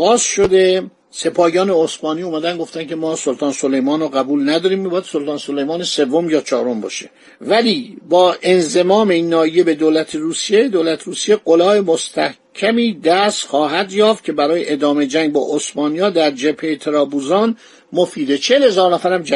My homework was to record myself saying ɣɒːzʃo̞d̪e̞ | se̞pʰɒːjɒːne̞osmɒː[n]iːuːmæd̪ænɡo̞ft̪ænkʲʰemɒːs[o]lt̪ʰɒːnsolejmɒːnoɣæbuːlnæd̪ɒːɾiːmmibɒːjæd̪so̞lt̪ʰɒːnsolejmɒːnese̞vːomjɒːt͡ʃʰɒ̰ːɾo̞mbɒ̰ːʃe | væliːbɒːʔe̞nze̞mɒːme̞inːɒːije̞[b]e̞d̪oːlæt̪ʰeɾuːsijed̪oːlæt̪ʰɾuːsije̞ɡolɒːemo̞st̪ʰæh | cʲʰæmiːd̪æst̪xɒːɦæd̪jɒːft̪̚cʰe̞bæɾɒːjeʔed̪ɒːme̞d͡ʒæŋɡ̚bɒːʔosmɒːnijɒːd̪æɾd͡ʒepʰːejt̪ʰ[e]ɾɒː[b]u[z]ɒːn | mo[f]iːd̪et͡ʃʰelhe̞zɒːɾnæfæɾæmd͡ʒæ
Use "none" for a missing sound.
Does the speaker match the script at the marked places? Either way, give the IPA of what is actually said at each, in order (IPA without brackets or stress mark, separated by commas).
n, o, b, e, b, z, f